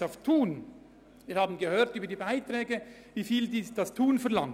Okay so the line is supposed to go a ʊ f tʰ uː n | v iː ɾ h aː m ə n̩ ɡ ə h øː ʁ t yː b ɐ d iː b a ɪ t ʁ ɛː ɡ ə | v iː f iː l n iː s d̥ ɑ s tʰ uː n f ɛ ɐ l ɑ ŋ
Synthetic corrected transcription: a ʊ f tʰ uː n | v iː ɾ h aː b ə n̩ ɡ ə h øː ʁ t yː b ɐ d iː b a ɪ t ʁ ɛː ɡ ə | v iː f iː l d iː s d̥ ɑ s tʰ uː n f ɛ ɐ l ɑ ŋ